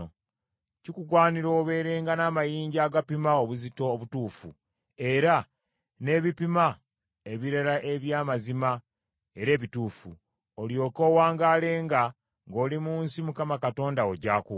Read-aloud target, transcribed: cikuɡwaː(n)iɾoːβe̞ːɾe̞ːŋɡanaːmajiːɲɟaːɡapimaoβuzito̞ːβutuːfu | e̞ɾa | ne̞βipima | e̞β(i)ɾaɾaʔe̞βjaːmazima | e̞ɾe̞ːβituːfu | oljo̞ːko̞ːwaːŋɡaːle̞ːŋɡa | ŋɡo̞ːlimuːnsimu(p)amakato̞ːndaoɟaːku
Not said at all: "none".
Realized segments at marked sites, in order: n, i, k

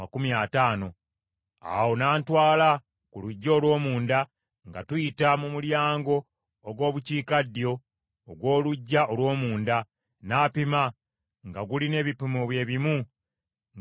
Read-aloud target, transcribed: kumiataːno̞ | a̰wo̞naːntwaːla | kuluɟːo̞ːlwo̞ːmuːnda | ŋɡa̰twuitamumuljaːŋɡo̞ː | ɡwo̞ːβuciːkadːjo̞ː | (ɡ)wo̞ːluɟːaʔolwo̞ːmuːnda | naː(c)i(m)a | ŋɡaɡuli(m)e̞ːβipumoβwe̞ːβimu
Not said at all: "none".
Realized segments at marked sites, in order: ɡ, p, m, n

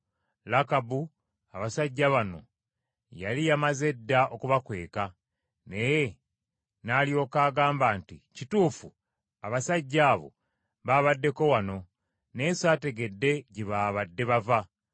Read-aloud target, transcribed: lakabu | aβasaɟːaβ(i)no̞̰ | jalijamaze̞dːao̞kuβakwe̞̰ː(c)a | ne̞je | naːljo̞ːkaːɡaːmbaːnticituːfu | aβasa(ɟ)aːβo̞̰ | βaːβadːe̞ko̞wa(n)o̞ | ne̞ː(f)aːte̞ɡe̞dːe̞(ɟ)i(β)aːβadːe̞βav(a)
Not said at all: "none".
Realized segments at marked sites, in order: a, k, ɟː, n, s, ɟ, β, a

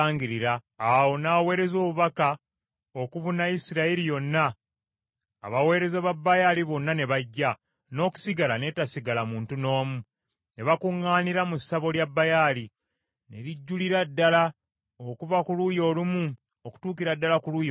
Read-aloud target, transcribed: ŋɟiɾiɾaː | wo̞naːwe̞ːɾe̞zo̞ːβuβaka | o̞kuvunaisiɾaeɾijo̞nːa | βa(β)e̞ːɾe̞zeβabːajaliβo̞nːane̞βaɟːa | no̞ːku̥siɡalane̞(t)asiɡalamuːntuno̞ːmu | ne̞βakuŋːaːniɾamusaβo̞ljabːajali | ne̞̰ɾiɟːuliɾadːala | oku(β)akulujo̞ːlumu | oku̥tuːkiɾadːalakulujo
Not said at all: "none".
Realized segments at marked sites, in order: w, t, v

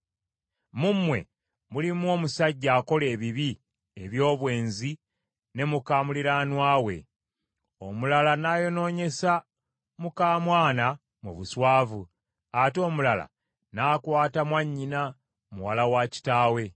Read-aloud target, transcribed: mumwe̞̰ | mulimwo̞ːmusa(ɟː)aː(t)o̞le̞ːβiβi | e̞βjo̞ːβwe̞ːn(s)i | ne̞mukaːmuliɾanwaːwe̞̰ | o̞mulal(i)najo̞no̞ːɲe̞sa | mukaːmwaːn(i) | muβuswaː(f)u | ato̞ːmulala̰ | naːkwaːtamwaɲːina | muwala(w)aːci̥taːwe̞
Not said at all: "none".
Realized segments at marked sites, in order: ɟː, k, z, a, a, v, w

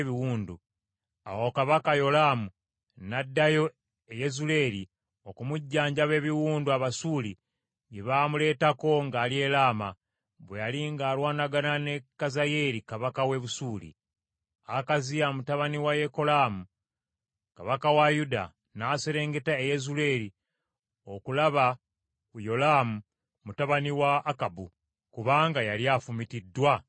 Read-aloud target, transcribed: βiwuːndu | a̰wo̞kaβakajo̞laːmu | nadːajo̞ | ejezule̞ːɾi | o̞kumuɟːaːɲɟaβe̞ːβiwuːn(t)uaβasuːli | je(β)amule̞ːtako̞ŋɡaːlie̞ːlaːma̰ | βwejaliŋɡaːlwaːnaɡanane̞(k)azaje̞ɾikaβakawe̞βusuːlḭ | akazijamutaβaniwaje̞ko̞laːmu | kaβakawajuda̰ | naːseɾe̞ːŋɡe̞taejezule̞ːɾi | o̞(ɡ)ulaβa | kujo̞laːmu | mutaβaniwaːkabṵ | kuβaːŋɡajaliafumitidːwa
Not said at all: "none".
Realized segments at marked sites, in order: d, β, k, k

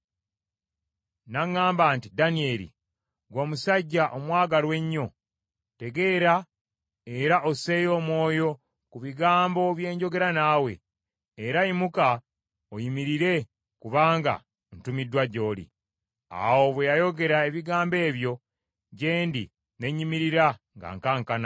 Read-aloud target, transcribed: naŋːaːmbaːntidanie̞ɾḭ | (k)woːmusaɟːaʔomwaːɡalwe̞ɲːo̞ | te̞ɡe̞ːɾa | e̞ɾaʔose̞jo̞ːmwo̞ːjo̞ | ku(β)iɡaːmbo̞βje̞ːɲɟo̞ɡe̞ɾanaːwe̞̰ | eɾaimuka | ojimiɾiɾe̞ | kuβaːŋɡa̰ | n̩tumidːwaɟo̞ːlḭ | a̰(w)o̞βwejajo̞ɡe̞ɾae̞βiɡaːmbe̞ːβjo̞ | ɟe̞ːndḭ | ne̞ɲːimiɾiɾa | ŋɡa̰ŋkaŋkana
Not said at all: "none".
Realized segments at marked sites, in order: ɡ, β, w

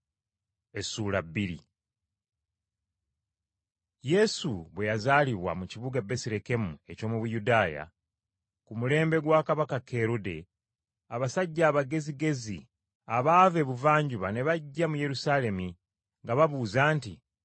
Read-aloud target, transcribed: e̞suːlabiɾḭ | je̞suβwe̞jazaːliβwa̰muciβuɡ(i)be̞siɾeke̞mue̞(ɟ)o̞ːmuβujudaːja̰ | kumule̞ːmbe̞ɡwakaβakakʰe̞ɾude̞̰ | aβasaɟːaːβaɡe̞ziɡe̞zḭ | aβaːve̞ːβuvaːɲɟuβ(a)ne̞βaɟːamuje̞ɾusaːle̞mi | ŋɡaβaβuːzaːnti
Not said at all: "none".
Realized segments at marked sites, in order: a, c, a

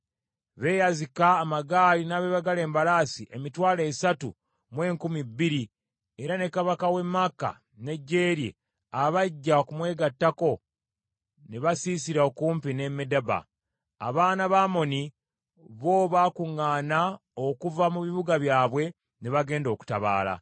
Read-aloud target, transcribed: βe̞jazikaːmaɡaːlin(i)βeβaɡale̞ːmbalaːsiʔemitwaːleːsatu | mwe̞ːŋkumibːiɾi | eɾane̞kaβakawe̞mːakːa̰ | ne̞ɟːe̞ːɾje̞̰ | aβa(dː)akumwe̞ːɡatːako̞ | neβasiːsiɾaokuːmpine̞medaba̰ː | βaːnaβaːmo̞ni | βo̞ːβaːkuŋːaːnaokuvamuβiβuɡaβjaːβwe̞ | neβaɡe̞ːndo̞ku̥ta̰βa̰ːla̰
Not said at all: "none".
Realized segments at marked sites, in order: a, ɟː

